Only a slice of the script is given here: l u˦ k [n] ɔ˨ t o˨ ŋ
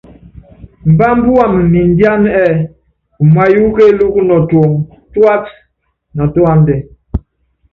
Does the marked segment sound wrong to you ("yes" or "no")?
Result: no